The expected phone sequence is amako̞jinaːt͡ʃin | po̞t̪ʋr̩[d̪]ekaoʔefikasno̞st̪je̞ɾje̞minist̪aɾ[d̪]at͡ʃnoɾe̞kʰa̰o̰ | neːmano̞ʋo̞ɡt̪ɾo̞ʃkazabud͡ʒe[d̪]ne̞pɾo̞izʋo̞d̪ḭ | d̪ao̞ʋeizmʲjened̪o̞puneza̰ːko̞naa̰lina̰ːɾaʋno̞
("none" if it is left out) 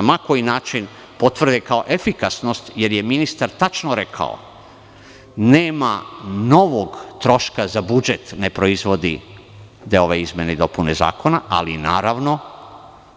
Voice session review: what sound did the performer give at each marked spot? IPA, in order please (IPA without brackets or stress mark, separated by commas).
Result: d̪, t̪, t̪